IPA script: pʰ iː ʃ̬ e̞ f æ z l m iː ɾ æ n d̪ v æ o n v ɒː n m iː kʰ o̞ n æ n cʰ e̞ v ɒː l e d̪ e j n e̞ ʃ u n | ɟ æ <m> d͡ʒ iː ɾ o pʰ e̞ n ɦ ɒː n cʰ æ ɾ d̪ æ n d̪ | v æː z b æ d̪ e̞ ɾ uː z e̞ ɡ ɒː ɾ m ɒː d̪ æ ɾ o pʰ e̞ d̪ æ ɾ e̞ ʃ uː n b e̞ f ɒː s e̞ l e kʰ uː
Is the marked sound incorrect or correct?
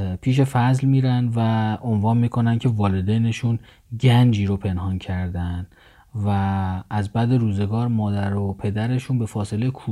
incorrect